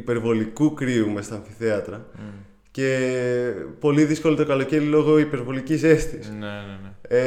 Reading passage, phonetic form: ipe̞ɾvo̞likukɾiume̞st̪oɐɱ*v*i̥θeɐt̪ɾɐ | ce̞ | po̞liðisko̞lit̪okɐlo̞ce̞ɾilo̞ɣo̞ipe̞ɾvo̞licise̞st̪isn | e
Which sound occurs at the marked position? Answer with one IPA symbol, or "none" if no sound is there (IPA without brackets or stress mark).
f